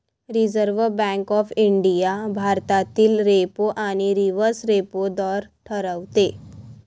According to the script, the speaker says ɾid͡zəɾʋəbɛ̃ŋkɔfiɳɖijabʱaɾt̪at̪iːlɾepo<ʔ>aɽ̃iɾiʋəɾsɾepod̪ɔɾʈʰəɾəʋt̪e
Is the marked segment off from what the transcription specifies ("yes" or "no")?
no